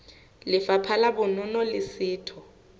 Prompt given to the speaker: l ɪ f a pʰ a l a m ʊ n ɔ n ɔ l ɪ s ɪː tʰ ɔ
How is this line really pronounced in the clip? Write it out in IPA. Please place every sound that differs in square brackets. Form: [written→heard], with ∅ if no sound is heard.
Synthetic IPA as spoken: l ɪ f a pʰ a l a [m→b] ʊ n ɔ n ɔ l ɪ s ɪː tʰ ɔ